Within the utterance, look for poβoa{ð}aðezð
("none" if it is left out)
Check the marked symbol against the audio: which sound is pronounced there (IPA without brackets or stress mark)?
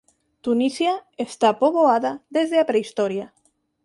ð